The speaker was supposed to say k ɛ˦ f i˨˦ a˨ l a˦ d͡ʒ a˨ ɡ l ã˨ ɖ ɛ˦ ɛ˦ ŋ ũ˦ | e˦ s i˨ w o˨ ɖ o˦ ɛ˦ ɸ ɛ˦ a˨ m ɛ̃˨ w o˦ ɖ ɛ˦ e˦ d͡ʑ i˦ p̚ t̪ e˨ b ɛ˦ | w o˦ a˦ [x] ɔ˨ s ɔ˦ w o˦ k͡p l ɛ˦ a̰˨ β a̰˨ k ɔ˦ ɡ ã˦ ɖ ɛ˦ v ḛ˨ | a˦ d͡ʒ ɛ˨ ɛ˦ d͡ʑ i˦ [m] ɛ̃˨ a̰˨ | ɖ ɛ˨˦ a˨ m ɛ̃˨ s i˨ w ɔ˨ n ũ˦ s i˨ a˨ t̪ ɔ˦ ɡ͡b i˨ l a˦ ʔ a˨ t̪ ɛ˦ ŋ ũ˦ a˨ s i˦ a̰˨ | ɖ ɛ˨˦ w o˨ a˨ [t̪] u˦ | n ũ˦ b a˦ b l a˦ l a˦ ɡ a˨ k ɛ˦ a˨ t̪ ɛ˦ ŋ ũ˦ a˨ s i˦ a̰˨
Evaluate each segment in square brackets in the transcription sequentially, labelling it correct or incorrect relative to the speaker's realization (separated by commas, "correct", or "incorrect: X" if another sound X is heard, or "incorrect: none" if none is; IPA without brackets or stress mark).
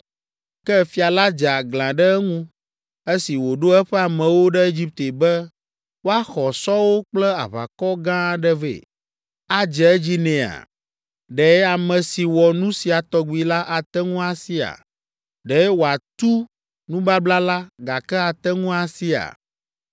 correct, incorrect: n, correct